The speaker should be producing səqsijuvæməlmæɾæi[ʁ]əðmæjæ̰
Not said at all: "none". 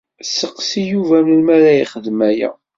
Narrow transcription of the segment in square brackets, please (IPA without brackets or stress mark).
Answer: χ